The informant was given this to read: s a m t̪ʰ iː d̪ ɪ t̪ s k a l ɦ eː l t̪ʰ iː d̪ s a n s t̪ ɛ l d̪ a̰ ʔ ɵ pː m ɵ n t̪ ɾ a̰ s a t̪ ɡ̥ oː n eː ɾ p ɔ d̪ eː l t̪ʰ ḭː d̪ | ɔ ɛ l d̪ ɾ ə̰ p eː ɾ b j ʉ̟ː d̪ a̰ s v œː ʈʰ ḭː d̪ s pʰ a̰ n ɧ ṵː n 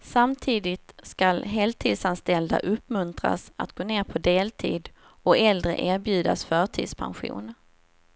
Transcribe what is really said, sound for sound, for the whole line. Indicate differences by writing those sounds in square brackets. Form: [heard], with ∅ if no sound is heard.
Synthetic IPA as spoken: s a m t̪ʰ iː d̪ ɪ t̪ s k a l ɦ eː l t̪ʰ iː d̪ s a n s t̪ ɛ l d̪ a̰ ʔ ɵ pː m ɵ n t̪ ɾ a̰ s a t̪ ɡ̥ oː n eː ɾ [pʰ] ɔ d̪ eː l t̪ʰ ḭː d̪ | ɔ ɛ l d̪ ɾ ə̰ [ʔ] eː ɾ b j ʉ̟ː d̪ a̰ s [f] œː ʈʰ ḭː d̪ s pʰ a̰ n ɧ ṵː n

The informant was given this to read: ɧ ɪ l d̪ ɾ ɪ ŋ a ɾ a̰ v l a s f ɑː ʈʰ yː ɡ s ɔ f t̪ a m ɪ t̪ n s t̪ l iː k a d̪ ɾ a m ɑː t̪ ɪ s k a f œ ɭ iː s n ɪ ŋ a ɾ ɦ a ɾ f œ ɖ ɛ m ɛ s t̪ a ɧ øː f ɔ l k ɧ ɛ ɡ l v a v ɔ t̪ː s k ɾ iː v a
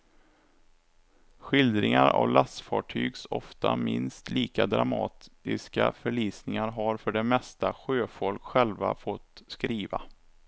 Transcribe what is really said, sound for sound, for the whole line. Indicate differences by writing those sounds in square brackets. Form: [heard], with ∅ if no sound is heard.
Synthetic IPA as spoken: ɧ ɪ l d̪ ɾ ɪ ŋ a ɾ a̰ v l a s f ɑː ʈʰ yː ɡ s ɔ f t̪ a m ɪ [∅] n s t̪ l iː k a d̪ ɾ a m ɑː t̪ ɪ s k a f œ ɭ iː s n ɪ ŋ a ɾ ɦ a ɾ f œ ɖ ɛ m ɛ s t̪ a ɧ øː f ɔ l k ɧ ɛ [∅] l v a [f] ɔ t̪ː s k ɾ iː v a

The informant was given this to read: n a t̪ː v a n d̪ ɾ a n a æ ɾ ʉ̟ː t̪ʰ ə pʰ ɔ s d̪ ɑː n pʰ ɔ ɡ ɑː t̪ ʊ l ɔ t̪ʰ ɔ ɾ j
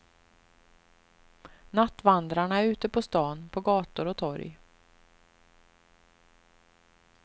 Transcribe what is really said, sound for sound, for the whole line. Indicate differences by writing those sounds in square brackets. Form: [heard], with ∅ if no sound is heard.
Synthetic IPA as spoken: n a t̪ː v a n d̪ ɾ a [ɳ] a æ ɾ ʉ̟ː [t̪] ə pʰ ɔ s [t̪] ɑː n pʰ ɔ ɡ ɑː t̪ ʊ [ɾ] ɔ t̪ʰ ɔ ɾ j

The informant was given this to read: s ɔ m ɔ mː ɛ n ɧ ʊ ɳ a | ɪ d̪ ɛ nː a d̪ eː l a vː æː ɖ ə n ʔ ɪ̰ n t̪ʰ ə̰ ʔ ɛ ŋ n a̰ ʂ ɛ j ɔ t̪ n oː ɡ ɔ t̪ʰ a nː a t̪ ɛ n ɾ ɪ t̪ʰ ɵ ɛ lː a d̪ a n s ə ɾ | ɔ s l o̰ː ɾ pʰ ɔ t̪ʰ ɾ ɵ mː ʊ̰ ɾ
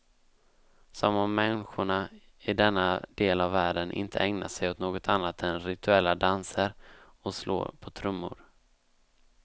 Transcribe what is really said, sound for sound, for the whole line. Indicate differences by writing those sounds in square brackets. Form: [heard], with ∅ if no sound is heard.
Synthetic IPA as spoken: s ɔ m ɔ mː ɛ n ɧ ʊ ɳ a | ɪ d̪ ɛ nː a d̪ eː l a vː æː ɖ ə n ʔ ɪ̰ n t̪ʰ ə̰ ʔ ɛ ŋ n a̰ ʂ ɛ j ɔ t̪ n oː ɡ ɔ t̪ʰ a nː a t̪ ɛ n ɾ ɪ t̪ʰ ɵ ɛ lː a d̪ a n s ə ɾ | ɔ s l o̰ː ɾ pʰ ɔ t̪ʰ ɾ ɵ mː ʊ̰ ɾ

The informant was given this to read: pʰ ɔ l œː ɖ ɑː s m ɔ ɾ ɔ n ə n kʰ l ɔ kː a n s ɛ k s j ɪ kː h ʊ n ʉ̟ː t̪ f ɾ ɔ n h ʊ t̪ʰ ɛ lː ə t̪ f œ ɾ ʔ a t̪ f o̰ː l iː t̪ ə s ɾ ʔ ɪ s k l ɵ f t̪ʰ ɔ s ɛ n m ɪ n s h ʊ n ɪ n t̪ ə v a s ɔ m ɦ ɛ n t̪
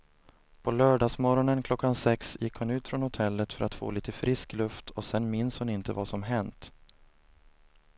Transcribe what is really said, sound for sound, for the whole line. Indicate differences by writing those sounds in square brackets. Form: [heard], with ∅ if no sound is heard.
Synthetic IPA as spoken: pʰ ɔ l œː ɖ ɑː s m ɔ ɾ ɔ n ə n kʰ l ɔ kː a n s ɛ k s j ɪ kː h ʊ n ʉ̟ː t̪ f ɾ ɔ n h ʊ t̪ʰ ɛ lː ə t̪ f œ ɾ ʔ a t̪ f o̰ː l iː t̪ ə [f] ɾ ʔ ɪ s k l ɵ f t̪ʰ ɔ s ɛ n m ɪ n s h ʊ n ɪ n t̪ ə v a s ɔ m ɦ ɛ n t̪

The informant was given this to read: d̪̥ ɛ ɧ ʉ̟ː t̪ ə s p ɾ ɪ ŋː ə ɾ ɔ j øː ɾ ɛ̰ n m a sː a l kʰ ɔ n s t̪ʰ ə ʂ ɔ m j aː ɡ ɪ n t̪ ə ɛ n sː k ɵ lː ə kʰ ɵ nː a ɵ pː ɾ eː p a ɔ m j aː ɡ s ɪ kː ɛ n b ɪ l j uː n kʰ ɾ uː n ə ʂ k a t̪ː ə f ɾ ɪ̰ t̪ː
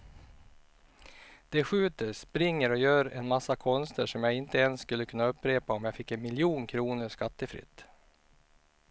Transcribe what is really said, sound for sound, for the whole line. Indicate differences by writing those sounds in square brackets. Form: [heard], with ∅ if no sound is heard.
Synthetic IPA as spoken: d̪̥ ɛ ɧ ʉ̟ː t̪ ə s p ɾ ɪ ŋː ə ɾ ɔ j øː ɾ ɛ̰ n m a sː a [∅] kʰ ɔ n s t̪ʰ ə ʂ ɔ m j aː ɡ ɪ n t̪ ə ɛ n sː k ɵ lː ə kʰ ɵ nː a ɵ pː ɾ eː p a ɔ m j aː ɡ [f] ɪ kː ɛ n [m] ɪ l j uː n kʰ ɾ uː n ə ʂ k a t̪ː ə f ɾ ɪ̰ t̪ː

